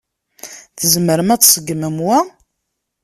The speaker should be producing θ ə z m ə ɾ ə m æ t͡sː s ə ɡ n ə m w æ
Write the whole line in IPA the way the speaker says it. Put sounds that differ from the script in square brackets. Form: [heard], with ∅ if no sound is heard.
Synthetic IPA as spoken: θ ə z m ə ɾ ə m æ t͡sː s ə ɡ [m] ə m w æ